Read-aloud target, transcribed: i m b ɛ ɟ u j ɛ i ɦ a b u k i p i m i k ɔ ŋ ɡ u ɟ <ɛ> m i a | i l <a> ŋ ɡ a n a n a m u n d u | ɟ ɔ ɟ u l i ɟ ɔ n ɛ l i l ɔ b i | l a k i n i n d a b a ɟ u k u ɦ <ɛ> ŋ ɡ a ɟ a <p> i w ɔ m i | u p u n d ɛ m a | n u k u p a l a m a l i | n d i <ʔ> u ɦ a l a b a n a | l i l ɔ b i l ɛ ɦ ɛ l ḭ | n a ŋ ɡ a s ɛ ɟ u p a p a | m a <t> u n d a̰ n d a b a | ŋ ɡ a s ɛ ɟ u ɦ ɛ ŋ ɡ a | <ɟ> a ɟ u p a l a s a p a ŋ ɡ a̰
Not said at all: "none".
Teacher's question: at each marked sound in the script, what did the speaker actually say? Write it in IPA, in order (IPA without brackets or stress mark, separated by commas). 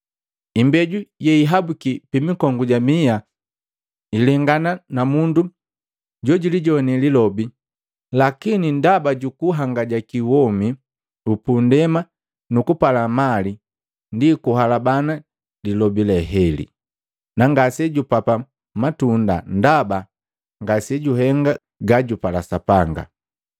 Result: a, ɛ, a, k, k, t, ɡ